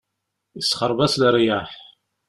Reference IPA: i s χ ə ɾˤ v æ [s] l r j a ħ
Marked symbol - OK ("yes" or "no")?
yes